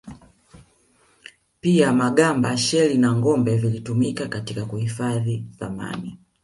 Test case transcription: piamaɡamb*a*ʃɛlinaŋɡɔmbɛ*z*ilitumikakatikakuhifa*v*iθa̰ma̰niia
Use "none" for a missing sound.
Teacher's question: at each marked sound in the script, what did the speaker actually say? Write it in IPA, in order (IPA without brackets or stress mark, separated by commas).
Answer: a, v, ð